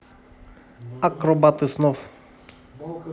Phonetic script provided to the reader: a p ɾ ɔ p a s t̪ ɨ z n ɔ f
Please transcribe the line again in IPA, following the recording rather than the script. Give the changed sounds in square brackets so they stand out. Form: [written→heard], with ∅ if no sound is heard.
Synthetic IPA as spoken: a [p→k] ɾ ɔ [p→b] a [s→∅] t̪ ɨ [z→s] n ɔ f